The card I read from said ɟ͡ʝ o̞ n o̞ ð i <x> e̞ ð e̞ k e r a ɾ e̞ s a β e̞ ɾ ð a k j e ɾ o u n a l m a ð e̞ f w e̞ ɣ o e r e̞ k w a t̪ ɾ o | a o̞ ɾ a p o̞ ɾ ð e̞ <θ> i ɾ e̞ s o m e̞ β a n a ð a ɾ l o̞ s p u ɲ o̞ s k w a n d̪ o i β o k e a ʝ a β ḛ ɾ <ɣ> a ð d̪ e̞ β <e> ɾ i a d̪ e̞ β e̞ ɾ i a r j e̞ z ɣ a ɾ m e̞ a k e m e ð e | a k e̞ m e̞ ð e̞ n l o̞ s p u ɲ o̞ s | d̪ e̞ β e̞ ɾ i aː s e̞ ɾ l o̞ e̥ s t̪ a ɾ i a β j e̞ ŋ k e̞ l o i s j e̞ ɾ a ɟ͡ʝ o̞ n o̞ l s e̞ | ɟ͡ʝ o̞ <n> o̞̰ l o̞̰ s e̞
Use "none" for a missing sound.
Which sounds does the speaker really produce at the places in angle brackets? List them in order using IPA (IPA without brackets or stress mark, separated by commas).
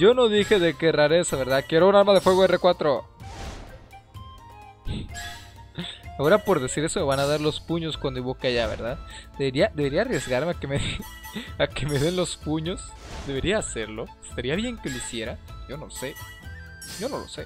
x, s, ð, e, n